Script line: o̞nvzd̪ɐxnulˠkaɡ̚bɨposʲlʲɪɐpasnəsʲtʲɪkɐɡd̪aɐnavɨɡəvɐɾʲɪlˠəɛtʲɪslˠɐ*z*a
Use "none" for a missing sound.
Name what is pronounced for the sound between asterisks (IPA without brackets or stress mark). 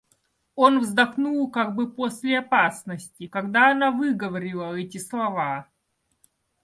v